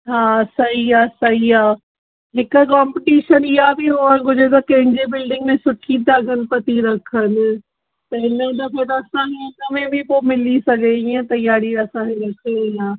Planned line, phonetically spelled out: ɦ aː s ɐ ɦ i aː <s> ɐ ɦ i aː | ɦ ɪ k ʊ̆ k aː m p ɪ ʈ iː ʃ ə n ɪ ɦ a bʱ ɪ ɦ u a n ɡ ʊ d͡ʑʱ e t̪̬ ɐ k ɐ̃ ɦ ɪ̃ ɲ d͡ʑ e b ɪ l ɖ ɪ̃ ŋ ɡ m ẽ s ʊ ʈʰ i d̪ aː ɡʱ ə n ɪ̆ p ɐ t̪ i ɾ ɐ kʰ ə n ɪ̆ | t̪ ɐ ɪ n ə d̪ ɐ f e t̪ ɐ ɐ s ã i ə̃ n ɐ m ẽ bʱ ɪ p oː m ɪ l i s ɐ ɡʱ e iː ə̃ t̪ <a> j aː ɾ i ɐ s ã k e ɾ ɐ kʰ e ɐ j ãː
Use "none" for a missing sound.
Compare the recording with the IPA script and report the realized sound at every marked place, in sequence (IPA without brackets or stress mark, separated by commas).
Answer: s, ɐ